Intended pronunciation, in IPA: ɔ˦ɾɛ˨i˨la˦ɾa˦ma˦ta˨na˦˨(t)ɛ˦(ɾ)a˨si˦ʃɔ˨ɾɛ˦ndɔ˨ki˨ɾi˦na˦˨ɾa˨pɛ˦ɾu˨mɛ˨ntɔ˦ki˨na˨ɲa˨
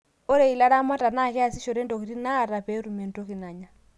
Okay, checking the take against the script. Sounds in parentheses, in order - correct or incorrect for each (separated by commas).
incorrect, incorrect